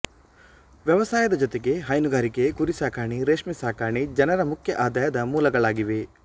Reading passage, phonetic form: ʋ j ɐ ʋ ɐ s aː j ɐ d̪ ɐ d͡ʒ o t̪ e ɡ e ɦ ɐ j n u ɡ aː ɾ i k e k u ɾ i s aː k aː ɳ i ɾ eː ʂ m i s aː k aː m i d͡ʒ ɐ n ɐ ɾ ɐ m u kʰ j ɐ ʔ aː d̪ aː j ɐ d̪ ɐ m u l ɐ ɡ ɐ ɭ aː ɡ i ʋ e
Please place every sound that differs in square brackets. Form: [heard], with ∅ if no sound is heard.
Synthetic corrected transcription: ʋ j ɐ ʋ ɐ s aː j ɐ d̪ ɐ d͡ʒ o t̪ e ɡ e ɦ ɐ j n u ɡ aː ɾ i k e k u ɾ i s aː k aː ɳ i ɾ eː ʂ m i s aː k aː [ɳ] i d͡ʒ ɐ n ɐ ɾ ɐ m u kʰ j ɐ ʔ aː d̪ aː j ɐ d̪ ɐ m [uː] l ɐ ɡ ɐ ɭ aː ɡ i ʋ e